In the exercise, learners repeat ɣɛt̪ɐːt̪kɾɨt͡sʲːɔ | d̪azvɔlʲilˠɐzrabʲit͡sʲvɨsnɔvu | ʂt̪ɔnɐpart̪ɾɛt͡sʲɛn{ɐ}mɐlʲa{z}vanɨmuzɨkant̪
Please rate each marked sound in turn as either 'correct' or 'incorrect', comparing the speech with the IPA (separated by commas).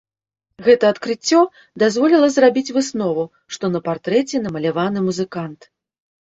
correct, incorrect